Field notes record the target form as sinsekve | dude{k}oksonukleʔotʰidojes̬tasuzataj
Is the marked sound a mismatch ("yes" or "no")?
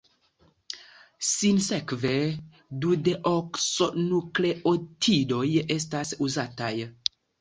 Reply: yes